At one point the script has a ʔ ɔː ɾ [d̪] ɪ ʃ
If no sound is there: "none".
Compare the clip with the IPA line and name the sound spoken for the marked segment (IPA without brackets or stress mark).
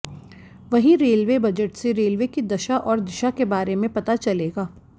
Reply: d̪